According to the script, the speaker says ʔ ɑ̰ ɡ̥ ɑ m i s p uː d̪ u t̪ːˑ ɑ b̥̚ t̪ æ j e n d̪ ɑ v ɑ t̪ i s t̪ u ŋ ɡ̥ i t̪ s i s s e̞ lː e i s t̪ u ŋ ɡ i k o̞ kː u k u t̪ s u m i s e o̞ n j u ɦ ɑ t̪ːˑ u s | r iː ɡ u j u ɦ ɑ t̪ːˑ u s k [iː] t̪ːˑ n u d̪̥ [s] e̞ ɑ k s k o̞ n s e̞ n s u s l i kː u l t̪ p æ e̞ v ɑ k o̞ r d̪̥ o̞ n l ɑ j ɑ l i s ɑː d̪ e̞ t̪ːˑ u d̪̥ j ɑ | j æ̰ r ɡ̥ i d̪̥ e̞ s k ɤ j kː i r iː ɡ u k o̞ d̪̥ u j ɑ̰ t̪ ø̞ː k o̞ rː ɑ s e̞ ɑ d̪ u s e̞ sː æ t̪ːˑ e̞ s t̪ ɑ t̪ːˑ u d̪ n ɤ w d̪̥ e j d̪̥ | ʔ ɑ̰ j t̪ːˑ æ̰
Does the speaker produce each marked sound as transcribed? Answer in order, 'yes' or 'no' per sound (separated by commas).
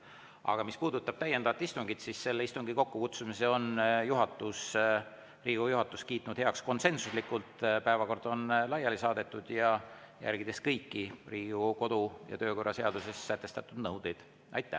yes, no